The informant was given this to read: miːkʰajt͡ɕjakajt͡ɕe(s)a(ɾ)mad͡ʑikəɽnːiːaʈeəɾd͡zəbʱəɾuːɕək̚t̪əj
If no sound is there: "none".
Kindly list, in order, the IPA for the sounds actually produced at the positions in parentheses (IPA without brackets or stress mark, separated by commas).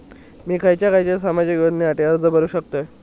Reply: s, none